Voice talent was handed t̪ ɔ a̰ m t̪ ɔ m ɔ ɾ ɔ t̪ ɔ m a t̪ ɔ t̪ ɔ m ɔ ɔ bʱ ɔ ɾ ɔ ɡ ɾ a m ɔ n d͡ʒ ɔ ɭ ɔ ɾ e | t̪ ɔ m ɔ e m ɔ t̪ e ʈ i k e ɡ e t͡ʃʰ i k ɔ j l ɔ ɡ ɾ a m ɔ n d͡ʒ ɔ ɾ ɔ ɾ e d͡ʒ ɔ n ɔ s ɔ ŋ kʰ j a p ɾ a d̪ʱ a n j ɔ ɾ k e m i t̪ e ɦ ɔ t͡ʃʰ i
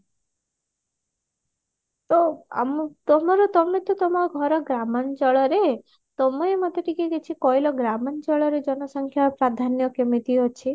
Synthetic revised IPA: t̪ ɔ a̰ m t̪ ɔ m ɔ ɾ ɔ t̪ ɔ m e t̪ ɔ t̪ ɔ m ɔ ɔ ɡʱ ɔ ɾ ɔ ɡ ɾ a m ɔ n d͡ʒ ɔ ɭ ɔ ɾ e | t̪ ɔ m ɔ e m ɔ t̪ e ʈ i k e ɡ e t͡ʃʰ i k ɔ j l ɔ ɡ ɾ a m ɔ n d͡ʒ ɔ ɭ ɔ ɾ e d͡ʒ ɔ n ɔ s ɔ ŋ kʰ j a p ɾ a d̪ʱ a n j ɔ k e m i t̪ i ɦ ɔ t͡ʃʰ i